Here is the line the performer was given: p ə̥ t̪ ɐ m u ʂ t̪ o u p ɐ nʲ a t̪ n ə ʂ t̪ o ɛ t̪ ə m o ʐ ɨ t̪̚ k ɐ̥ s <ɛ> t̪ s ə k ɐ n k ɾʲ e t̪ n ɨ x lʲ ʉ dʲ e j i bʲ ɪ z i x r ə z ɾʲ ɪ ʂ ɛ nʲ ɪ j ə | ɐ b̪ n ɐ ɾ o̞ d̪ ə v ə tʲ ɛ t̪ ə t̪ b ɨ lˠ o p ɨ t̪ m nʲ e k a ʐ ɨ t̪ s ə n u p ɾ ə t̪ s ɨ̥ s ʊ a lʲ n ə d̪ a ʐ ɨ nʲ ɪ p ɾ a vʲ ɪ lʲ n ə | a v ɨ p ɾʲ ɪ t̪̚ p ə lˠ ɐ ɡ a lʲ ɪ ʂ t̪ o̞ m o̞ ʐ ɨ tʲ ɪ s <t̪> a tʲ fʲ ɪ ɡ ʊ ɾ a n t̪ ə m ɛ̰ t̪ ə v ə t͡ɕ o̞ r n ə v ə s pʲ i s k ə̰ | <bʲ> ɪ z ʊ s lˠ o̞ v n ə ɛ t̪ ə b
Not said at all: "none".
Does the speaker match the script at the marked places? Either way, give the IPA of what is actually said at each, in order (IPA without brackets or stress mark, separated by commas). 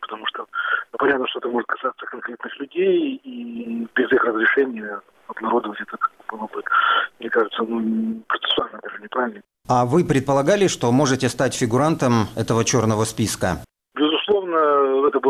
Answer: a, t̪, bʲ